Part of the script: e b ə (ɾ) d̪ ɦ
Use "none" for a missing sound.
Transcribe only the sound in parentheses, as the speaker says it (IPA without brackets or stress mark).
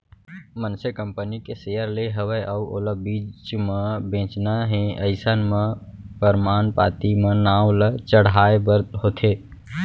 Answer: ɾ